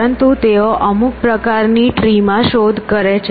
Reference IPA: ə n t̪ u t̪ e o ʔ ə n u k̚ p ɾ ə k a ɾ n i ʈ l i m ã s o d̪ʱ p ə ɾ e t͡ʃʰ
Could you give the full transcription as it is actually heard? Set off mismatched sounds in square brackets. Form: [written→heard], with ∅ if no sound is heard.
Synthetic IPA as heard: ə n t̪ u t̪ e o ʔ ə [n→m] u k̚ p ɾ ə k a ɾ n i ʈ [l→ɾ] i m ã [s→ʃ] o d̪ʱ [p→k] ə ɾ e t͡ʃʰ